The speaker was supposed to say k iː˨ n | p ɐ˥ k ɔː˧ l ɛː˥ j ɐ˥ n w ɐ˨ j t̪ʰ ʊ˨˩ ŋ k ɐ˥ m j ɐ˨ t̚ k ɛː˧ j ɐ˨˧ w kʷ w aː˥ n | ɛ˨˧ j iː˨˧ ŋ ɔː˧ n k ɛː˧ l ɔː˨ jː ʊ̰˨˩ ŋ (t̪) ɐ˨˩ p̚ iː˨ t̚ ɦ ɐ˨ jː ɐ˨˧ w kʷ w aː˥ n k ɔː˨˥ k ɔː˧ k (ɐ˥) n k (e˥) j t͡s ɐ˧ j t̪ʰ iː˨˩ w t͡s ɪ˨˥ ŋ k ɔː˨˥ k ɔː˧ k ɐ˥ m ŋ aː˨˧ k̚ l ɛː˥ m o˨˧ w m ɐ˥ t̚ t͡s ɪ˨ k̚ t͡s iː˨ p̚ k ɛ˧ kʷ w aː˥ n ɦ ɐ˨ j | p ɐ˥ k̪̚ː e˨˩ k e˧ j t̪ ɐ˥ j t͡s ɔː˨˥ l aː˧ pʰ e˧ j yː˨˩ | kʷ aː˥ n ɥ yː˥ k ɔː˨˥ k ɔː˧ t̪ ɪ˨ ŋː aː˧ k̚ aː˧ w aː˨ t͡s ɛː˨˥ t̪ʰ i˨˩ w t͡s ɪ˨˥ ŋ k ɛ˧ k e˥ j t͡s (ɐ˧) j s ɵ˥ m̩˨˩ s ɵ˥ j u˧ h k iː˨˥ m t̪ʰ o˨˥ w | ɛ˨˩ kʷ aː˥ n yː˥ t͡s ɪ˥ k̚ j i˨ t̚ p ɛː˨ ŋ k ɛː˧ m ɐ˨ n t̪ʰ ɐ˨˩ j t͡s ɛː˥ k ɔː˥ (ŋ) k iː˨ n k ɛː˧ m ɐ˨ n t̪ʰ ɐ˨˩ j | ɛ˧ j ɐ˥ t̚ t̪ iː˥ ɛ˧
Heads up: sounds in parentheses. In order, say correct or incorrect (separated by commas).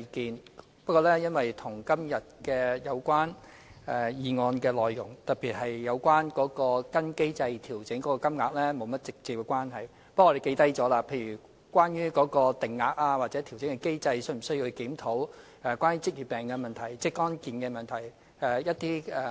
correct, correct, correct, correct, incorrect